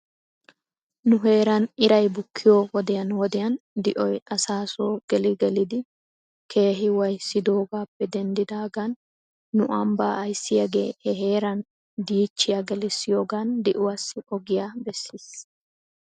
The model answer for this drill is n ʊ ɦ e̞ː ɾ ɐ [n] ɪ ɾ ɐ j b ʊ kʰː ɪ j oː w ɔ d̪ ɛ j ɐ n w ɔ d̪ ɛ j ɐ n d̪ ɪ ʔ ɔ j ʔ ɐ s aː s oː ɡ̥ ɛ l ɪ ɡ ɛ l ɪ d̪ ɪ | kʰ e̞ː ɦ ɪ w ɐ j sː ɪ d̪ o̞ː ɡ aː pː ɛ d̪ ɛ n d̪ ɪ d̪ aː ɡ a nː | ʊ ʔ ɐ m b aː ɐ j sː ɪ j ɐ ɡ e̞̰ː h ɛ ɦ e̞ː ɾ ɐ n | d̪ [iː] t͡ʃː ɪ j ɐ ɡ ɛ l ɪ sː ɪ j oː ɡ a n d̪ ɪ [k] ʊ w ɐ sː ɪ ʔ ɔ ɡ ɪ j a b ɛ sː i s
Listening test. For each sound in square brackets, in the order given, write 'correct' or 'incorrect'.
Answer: correct, correct, incorrect: ʔ

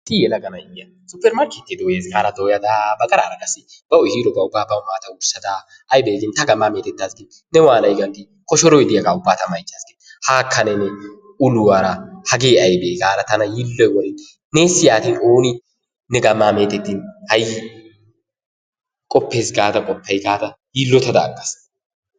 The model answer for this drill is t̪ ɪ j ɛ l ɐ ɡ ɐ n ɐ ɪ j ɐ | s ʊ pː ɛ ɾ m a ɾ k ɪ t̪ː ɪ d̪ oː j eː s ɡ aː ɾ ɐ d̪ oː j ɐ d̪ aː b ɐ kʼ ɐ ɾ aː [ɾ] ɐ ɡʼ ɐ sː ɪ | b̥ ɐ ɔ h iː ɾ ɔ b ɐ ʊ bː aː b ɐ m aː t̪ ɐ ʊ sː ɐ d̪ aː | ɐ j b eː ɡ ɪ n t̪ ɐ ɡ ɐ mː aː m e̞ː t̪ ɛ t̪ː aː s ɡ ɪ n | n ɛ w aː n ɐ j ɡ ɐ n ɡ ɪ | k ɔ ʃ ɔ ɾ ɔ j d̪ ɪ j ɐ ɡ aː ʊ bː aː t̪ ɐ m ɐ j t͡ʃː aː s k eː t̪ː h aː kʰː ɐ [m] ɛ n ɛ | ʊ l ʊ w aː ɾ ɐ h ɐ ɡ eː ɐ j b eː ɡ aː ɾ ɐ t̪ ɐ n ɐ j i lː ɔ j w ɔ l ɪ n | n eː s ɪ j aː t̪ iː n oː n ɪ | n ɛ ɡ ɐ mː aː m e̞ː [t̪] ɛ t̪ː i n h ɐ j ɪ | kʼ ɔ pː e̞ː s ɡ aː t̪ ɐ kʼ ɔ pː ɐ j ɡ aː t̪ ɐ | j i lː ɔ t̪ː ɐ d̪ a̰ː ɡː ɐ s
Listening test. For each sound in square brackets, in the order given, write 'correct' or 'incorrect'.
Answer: correct, incorrect: n, correct

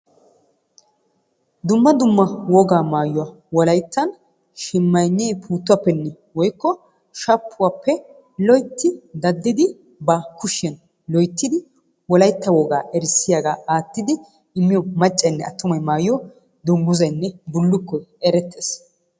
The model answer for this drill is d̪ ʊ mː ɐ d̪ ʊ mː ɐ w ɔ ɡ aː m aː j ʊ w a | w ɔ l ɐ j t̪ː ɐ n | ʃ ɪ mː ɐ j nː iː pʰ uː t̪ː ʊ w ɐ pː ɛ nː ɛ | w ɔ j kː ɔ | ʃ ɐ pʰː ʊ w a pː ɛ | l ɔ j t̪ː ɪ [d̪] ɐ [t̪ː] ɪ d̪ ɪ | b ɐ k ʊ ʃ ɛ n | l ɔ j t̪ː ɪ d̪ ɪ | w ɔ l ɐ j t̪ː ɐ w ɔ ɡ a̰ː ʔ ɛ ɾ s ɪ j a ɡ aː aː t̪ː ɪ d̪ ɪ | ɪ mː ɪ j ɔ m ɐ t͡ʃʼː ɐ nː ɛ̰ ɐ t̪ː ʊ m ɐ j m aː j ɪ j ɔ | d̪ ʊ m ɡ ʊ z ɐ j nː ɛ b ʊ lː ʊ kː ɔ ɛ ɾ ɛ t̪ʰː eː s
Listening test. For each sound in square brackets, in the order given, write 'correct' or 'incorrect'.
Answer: correct, incorrect: d̪ː

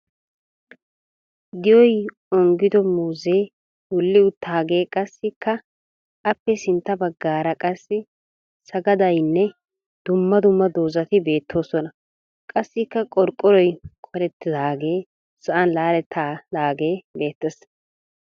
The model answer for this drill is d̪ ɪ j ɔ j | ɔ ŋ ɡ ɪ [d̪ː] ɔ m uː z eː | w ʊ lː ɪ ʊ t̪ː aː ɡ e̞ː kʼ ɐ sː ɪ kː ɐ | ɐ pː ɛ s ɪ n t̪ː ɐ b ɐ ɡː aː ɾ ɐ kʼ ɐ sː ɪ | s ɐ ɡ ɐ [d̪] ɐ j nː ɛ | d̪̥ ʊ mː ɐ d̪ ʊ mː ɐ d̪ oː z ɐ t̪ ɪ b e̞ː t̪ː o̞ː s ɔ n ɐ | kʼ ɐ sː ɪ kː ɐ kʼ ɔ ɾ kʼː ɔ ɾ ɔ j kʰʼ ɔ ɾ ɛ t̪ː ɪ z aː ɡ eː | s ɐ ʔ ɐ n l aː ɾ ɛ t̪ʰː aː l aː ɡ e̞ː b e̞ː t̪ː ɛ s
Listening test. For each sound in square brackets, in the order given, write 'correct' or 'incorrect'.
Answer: incorrect: d̪, correct

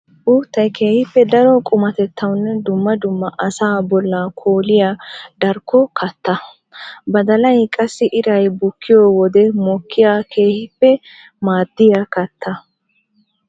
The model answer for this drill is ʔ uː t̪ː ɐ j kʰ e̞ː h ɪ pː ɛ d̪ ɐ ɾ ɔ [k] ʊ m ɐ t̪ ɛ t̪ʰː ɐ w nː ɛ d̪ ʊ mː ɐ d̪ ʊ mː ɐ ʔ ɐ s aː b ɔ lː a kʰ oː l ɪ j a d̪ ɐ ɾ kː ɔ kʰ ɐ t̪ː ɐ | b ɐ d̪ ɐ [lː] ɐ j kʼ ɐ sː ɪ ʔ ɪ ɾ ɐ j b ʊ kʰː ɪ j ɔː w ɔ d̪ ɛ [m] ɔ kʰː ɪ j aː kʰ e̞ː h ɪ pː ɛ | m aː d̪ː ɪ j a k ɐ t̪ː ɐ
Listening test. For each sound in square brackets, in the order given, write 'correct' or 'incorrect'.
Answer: incorrect: kʼ, incorrect: l, correct

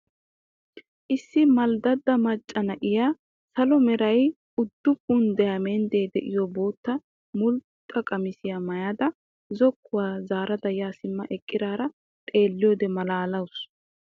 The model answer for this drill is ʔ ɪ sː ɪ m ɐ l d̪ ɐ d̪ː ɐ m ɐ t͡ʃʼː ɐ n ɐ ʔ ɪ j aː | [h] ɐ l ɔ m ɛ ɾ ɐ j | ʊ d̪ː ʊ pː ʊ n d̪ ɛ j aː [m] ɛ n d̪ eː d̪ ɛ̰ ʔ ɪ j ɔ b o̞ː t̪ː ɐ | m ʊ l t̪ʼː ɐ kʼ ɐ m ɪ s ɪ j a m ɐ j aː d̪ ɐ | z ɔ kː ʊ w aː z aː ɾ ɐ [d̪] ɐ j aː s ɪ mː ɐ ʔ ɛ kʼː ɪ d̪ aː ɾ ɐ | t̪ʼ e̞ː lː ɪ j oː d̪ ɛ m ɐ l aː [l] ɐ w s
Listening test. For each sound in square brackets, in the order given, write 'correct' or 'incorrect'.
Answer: incorrect: s, correct, correct, correct

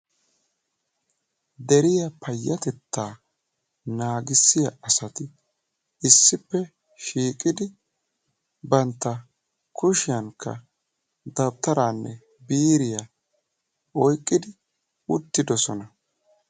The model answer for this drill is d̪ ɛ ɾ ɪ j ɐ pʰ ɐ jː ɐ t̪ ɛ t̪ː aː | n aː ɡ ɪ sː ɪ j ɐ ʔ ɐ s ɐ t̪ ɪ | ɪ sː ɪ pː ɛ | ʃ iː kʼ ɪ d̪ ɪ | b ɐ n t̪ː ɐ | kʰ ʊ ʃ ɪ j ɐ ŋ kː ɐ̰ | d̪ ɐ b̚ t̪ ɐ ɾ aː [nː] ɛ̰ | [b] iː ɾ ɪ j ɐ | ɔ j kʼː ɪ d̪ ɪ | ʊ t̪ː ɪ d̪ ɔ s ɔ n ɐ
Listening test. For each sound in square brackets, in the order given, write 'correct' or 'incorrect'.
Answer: correct, correct

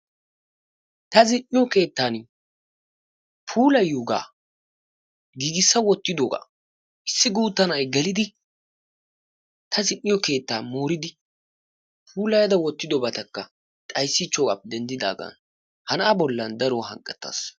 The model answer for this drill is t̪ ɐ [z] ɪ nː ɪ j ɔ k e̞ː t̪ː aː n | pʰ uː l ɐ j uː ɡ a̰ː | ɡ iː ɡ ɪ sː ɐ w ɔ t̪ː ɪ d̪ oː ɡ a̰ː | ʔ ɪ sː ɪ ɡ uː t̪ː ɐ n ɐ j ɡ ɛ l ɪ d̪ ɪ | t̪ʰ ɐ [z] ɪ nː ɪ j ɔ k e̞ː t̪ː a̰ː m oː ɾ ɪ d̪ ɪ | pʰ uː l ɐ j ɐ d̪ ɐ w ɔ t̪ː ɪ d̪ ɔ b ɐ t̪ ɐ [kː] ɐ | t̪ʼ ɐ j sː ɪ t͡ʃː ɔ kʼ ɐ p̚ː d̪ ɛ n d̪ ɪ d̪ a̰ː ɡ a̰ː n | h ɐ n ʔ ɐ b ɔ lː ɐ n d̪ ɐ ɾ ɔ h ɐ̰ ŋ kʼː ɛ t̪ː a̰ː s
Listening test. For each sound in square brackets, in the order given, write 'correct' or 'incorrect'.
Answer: correct, correct, correct

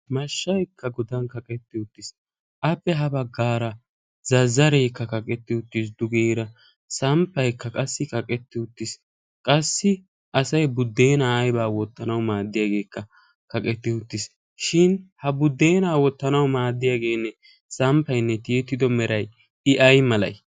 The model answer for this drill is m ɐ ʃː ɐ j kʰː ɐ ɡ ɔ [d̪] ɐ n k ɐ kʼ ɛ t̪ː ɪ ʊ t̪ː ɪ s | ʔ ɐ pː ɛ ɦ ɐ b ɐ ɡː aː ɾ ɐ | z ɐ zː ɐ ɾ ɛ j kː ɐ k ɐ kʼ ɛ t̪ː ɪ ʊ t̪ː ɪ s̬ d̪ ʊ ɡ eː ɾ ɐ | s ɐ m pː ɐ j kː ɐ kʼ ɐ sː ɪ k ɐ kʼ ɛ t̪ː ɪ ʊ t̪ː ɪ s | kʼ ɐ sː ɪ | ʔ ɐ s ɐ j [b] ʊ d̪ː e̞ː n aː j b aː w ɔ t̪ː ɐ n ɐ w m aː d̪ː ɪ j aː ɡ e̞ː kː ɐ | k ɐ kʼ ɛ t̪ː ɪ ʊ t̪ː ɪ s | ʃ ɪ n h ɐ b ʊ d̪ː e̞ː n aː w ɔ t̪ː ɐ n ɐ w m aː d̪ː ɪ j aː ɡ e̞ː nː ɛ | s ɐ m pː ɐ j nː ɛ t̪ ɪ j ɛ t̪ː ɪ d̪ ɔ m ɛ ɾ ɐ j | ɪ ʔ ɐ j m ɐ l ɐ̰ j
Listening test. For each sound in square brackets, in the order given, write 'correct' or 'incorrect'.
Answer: correct, correct

